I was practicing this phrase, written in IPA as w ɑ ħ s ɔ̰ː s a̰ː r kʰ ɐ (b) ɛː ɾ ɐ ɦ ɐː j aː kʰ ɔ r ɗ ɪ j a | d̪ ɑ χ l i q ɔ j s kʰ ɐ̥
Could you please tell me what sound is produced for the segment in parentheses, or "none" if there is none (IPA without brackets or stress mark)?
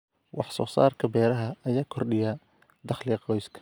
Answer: b